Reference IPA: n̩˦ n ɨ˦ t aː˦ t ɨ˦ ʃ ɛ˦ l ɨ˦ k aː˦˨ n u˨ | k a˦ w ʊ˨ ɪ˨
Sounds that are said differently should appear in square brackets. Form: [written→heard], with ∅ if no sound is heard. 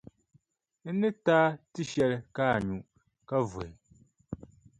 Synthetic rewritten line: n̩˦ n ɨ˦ t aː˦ t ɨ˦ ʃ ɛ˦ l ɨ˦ k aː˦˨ [n→ɲ] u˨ | k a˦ [w→v] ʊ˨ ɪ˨